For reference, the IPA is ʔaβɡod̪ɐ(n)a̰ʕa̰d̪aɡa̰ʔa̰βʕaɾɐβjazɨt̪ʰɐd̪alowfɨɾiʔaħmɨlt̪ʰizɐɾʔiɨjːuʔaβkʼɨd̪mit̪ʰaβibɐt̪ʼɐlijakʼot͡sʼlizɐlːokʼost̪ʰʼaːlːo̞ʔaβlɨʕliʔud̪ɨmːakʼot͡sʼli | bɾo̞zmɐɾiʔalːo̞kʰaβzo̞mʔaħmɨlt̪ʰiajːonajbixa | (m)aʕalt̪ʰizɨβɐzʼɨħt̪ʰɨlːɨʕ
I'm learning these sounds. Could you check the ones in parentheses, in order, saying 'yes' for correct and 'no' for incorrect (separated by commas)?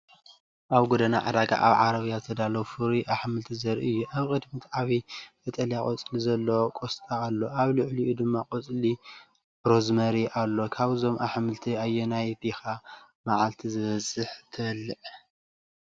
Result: yes, yes